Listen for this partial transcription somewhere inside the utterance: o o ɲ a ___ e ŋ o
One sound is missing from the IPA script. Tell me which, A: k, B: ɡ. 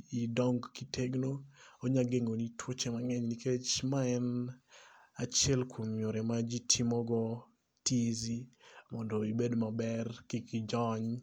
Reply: B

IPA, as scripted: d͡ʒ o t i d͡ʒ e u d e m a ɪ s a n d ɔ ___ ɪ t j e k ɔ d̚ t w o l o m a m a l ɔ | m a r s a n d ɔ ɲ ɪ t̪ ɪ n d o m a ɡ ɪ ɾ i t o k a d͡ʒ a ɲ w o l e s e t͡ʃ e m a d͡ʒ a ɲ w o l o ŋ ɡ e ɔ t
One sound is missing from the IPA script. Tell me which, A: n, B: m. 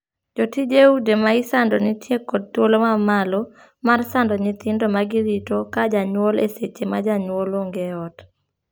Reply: A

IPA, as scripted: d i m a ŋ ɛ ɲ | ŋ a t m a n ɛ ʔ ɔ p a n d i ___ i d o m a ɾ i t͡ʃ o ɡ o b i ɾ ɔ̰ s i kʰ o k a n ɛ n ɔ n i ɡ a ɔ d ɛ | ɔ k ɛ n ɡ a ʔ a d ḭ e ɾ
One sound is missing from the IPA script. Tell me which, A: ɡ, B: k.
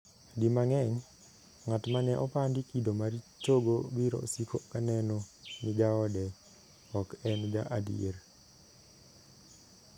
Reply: B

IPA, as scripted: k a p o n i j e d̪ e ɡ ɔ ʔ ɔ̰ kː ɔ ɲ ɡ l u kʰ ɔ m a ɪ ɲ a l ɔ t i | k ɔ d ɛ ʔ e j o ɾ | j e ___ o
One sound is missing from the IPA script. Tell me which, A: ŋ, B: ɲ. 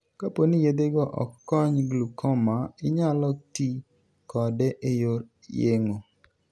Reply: A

